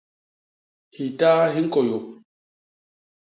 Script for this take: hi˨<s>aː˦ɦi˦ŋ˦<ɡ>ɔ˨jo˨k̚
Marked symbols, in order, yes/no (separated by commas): no, no